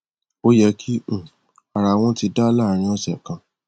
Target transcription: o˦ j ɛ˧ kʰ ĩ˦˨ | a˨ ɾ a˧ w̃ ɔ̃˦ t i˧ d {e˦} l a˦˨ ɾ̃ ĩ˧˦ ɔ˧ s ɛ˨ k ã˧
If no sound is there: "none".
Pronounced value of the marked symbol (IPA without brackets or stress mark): a˦